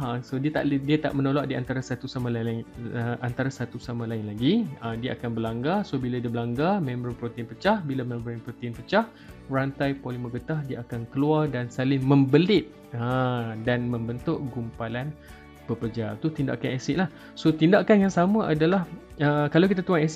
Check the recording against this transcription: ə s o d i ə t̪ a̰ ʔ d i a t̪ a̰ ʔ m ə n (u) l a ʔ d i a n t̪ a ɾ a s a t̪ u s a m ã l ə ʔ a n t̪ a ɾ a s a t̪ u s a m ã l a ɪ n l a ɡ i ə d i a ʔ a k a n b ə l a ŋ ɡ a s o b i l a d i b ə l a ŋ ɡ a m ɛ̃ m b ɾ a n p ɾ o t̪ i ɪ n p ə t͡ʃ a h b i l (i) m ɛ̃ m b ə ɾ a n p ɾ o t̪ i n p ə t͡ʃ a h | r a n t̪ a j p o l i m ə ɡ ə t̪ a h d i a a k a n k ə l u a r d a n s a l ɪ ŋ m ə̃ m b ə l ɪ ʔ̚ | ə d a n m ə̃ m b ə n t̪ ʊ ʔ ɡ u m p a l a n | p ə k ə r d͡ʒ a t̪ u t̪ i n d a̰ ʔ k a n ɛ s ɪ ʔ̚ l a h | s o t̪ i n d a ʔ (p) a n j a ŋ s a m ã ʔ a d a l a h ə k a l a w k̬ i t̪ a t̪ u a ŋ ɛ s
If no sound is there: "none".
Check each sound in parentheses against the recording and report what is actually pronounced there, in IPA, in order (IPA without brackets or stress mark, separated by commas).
o, a, k